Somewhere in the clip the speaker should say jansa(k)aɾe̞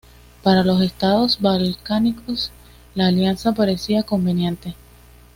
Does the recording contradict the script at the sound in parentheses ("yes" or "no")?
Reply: yes